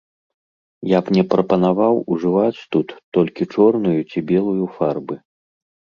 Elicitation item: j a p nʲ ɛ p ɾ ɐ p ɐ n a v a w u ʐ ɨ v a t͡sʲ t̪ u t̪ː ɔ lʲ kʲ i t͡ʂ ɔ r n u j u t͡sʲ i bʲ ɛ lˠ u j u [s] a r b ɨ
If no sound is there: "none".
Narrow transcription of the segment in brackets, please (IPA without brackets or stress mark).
f